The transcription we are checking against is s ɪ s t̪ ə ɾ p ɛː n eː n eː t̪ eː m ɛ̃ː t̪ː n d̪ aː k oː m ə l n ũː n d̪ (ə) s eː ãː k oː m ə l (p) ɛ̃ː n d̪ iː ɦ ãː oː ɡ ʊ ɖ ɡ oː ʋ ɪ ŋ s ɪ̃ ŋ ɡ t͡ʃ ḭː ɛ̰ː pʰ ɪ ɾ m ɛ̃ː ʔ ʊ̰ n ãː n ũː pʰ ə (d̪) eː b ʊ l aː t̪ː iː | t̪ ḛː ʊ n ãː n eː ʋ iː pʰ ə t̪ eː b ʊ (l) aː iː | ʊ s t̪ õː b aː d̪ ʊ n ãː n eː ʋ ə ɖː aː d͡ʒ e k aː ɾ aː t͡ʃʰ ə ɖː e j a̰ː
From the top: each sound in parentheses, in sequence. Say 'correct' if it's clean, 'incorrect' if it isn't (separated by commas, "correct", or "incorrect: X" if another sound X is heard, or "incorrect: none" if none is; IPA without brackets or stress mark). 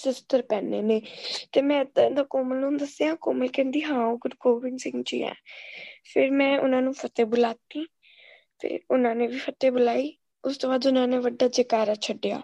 correct, incorrect: k, incorrect: t̪, correct